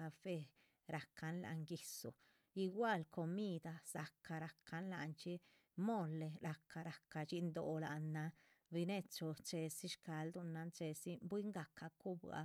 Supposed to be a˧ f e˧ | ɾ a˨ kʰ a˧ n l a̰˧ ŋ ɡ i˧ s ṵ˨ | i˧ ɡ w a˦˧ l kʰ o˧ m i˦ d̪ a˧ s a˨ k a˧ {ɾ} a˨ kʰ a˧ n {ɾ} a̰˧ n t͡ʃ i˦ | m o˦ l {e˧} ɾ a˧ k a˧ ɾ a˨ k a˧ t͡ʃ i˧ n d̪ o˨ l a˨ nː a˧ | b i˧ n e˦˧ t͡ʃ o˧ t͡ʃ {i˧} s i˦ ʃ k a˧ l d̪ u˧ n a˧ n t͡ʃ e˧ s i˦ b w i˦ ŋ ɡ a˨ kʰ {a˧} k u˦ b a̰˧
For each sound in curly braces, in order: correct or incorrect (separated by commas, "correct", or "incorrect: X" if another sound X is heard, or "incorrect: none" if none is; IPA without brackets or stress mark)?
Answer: correct, incorrect: l, correct, incorrect: e˧, correct